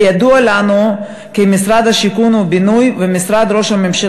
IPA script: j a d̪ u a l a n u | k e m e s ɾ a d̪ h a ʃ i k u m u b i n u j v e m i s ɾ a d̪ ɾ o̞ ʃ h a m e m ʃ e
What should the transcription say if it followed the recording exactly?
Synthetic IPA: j a d̪ u a l a n u | k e m i s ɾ a d̪ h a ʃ i k u n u b i n u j v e m i s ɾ a d̪ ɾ o̞ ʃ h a m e m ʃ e